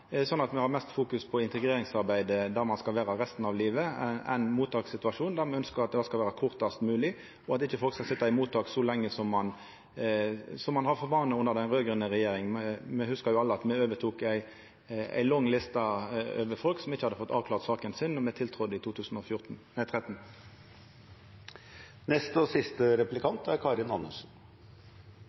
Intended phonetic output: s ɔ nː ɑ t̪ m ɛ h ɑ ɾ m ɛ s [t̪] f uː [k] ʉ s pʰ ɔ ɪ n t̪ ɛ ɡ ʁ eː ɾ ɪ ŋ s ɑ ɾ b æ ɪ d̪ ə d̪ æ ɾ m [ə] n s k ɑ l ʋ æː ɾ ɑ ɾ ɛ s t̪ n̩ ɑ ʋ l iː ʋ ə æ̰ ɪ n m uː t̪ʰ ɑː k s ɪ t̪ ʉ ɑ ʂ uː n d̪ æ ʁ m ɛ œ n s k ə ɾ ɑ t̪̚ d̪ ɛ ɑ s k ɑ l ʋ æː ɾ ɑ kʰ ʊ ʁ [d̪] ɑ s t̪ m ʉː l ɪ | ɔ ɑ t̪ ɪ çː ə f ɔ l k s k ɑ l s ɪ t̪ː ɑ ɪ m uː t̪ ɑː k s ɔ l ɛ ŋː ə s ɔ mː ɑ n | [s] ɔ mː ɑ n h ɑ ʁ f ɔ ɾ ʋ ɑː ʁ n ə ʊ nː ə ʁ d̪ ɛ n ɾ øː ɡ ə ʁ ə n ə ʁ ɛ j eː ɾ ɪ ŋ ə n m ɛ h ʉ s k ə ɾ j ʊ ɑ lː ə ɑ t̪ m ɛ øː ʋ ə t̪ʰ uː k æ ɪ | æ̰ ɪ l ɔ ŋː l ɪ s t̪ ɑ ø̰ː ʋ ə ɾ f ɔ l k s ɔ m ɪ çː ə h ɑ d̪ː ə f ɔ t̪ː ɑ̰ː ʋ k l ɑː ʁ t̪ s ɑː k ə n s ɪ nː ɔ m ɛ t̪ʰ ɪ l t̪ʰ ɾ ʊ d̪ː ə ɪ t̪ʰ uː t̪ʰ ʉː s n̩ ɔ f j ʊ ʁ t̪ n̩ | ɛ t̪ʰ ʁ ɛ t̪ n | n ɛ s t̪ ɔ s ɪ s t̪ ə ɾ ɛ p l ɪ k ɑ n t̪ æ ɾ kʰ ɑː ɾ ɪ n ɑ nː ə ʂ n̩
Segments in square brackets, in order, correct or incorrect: correct, correct, incorrect: ɑ, incorrect: t̪, correct

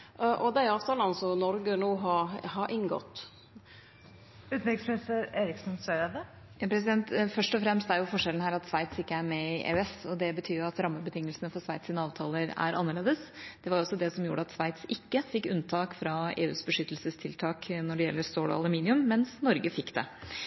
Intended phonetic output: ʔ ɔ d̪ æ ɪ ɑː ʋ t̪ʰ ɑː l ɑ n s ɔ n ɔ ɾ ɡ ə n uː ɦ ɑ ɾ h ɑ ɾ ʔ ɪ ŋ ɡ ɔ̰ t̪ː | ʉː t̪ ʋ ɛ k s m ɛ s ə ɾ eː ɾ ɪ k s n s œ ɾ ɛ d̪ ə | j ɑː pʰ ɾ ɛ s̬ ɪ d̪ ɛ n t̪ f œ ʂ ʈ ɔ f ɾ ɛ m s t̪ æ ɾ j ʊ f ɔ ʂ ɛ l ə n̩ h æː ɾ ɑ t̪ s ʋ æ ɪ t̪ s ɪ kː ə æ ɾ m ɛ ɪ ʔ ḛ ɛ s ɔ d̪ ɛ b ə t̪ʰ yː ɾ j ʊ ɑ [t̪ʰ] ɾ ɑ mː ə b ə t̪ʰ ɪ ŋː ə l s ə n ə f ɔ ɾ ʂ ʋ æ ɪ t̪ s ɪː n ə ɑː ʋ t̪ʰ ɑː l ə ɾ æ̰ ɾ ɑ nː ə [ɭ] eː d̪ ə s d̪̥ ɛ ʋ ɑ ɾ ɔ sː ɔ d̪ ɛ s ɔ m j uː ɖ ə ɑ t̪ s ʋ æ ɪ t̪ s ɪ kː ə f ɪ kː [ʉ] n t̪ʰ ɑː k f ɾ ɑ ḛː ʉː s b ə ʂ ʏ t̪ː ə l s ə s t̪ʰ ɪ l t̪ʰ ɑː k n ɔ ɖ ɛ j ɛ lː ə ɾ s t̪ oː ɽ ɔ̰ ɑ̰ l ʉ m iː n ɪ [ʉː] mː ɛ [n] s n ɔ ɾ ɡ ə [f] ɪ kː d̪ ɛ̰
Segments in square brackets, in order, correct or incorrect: incorrect: t̪, correct, correct, incorrect: ʉ, correct, correct

